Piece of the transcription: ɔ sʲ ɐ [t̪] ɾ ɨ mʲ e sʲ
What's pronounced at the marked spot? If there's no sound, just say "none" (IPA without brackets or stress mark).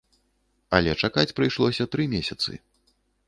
t̪